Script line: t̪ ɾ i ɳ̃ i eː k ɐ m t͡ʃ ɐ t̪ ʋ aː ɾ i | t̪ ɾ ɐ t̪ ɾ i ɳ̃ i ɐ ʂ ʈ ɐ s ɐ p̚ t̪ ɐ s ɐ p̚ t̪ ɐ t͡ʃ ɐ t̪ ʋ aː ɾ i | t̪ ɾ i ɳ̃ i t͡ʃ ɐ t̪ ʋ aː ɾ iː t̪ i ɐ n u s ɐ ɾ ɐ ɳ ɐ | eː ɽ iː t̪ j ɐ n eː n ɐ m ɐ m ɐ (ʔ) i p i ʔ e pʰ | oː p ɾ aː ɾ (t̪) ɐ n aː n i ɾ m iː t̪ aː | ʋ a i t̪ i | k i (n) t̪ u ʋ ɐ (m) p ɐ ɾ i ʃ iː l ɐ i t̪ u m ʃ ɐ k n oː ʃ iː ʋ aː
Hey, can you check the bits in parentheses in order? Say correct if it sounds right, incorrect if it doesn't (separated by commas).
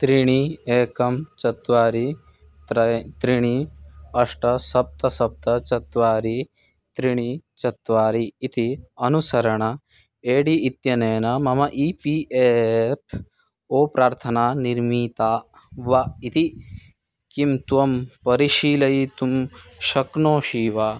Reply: correct, incorrect, incorrect, correct